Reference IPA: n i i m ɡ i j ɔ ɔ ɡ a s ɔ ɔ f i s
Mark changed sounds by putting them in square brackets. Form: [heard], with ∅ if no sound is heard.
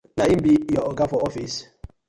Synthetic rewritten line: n [a] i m [b] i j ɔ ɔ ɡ a [f] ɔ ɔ f i s